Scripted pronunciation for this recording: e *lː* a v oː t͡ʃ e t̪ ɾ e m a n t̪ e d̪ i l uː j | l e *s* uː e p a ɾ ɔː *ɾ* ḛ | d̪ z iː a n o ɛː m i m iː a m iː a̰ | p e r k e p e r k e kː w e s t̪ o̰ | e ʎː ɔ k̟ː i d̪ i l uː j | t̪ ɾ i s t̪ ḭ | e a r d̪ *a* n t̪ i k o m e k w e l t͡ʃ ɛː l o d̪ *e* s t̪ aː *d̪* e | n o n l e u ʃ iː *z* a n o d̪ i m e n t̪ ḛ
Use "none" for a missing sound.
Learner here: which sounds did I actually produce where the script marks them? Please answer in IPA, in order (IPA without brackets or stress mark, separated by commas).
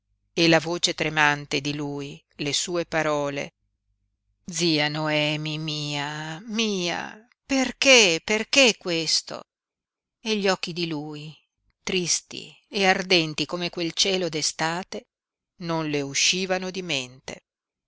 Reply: l, s, l, ɛ, e, t̪, v